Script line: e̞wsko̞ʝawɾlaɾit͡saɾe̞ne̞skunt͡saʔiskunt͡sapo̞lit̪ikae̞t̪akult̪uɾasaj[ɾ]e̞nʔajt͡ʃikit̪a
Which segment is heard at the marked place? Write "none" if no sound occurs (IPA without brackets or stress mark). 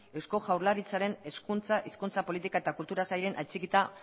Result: ɾ